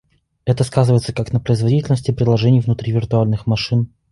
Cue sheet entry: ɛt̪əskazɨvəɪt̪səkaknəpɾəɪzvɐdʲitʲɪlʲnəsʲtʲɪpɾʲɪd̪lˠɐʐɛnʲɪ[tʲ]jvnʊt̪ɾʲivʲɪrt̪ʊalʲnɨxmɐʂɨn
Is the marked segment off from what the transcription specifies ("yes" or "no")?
yes